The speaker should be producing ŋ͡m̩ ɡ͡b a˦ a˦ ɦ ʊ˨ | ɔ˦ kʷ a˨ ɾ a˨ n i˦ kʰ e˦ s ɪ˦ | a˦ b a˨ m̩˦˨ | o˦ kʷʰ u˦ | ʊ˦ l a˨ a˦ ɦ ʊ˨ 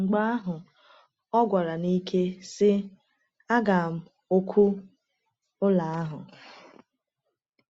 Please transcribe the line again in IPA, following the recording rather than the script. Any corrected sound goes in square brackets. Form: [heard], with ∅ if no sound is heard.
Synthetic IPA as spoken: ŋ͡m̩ ɡ͡b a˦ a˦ ɦ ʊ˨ | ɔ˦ [ɡʷ] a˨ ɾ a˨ n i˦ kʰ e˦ s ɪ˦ | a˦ [ɡ] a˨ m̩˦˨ | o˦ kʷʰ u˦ | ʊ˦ l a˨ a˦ ɦ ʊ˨